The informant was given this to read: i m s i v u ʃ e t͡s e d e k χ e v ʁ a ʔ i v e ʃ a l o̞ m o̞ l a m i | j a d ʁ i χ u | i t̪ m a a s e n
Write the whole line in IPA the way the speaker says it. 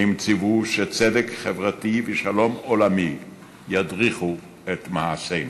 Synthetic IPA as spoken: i m t͡s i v u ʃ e t͡s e d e k χ e v ʁ a t i v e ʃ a l o̞ m o̞ l a m i | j a d ʁ i χ u | e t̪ m a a s e n